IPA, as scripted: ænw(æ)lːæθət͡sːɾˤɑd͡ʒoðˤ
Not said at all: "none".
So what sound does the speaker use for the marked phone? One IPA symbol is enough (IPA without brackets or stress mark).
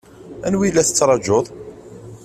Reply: i